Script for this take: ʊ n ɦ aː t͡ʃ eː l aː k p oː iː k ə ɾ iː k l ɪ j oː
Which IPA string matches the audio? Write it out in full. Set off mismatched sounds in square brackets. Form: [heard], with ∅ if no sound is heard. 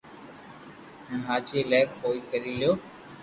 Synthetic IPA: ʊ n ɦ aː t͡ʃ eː l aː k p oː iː k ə ɾ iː [∅] l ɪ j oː